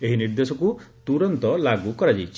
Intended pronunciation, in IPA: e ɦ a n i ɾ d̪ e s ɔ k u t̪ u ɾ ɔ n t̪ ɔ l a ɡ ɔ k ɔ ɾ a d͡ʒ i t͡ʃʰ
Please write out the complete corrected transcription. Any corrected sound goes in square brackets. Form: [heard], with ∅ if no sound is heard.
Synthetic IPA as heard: e ɦ [i] n i ɾ d̪ e s ɔ k u t̪ u ɾ ɔ n t̪ ɔ l a ɡ [u] k ɔ ɾ a d͡ʒ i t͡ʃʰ